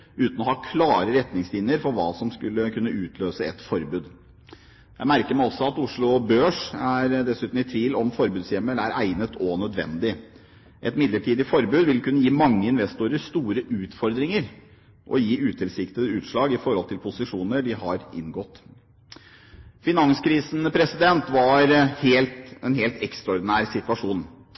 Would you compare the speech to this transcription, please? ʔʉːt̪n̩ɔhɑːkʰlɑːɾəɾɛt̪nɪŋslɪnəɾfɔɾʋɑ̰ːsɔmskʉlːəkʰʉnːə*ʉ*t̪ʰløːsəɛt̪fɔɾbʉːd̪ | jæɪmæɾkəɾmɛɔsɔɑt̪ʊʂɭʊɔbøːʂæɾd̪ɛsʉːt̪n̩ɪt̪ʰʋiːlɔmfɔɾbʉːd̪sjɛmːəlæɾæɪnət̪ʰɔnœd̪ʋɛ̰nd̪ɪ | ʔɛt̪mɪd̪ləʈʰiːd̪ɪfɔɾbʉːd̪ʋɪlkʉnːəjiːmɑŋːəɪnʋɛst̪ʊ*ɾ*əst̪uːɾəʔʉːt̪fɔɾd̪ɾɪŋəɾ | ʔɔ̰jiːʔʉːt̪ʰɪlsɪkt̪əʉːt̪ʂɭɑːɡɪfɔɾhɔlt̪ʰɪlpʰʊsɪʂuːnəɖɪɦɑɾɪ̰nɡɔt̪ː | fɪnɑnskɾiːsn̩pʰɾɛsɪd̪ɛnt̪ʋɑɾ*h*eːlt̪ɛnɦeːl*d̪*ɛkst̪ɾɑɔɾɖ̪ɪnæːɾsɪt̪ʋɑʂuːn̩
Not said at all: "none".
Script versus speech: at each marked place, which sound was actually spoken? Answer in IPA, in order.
ʉː, ɾ, h, t̪

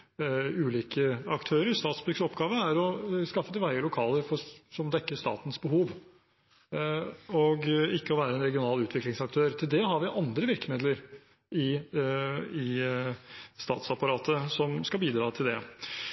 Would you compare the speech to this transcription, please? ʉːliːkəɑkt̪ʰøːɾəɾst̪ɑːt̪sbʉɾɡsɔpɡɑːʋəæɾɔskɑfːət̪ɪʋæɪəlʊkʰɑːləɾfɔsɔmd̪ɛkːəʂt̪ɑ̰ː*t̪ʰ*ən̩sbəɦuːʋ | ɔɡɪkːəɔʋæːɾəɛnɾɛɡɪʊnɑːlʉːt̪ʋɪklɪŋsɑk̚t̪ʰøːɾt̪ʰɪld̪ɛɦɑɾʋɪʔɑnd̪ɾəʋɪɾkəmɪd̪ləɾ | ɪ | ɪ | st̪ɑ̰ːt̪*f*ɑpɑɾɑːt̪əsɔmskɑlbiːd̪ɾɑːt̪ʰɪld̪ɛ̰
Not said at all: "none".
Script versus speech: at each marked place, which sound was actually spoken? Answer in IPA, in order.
t̪, s

